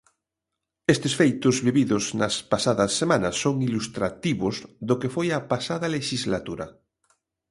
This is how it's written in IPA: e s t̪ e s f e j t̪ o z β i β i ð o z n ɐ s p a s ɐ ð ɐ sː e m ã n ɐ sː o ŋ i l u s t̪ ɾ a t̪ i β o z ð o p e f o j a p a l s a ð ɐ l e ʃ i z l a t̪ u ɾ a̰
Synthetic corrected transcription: e s t̪ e s f e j t̪ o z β i β i ð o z n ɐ s p a s a ð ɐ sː e m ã n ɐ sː o ŋ i l u s t̪ ɾ a t̪ i β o z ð o k e f o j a p a s a ð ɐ l e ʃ i z l a t̪ u ɾ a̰